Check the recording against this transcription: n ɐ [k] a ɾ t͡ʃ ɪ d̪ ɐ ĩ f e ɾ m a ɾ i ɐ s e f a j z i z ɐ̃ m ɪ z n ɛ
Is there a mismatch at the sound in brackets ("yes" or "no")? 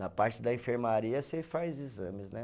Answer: yes